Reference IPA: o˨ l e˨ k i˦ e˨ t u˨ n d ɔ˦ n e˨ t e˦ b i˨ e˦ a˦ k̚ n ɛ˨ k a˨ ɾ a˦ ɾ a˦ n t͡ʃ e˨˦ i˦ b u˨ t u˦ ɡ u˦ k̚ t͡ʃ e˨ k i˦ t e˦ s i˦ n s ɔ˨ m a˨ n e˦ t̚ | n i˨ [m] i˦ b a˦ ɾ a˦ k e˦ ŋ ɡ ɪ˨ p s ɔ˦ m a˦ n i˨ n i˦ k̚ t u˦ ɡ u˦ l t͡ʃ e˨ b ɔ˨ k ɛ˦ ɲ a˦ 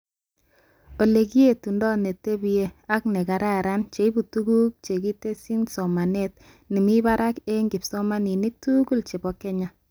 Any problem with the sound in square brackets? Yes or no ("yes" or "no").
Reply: no